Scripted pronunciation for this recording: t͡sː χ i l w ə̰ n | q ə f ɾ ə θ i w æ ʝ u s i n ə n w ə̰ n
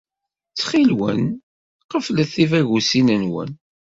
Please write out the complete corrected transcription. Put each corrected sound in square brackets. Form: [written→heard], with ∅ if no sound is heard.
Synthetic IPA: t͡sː χ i l w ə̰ n | q ə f [ɾ→l] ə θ i [w→v] æ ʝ u s i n ə n w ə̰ n